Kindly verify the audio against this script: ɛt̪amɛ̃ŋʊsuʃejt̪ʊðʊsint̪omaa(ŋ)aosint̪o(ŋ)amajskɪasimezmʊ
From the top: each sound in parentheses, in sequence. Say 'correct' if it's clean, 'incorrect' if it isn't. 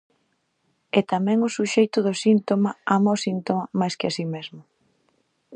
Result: incorrect, incorrect

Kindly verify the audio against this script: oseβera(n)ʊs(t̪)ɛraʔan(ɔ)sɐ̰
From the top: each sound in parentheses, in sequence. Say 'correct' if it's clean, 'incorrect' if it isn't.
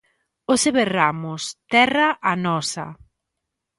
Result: incorrect, correct, correct

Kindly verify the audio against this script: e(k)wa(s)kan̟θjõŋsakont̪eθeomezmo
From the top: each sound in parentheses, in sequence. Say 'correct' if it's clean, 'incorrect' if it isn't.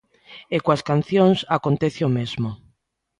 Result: correct, correct

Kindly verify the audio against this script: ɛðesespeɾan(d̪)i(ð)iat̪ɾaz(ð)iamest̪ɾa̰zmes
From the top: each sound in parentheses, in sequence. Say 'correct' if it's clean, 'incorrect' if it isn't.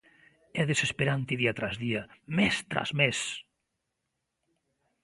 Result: incorrect, correct, correct

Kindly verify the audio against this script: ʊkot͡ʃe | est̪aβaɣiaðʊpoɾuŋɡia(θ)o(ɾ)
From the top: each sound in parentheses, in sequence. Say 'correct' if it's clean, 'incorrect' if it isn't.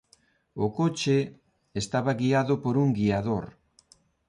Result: incorrect, correct

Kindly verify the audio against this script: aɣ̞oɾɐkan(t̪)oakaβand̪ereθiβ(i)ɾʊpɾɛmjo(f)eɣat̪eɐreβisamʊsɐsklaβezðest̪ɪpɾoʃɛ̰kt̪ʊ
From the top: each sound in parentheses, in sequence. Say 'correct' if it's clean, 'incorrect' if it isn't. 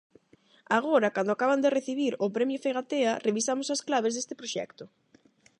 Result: incorrect, correct, correct

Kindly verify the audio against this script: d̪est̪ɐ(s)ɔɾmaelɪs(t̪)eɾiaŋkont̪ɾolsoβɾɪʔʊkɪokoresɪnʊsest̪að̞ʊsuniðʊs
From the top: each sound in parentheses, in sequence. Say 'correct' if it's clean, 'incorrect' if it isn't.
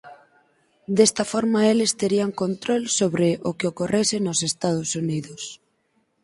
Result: incorrect, correct

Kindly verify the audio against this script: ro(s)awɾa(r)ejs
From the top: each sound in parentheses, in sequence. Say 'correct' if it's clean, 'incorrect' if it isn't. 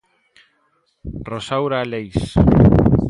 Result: correct, incorrect

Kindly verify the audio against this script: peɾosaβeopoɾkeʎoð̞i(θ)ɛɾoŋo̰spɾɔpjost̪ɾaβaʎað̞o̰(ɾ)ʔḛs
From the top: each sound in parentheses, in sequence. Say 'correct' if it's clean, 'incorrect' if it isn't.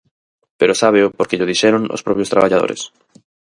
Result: incorrect, correct

